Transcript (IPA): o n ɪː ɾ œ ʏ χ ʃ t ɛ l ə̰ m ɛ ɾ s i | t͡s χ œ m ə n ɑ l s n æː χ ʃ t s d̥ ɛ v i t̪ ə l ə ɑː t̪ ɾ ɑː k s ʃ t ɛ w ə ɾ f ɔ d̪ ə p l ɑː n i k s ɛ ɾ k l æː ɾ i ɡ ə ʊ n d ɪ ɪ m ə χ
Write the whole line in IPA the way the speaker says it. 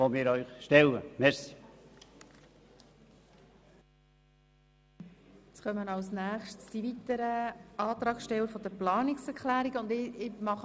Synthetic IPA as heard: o m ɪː ɾ œ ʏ χ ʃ t ɛ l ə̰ m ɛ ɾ s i | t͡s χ œ m ə n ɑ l s n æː χ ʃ t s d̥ i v i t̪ ə ɾ ə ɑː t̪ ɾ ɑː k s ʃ t ɛ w ə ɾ f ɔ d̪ ə p l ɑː n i k s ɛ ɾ k l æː ɾ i ɡ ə ʊ n d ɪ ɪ m ɑ χ